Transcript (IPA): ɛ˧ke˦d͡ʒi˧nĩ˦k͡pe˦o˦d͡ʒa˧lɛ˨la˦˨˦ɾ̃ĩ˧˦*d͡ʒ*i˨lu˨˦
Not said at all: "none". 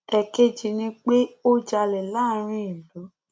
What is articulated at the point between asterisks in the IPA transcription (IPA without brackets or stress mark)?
none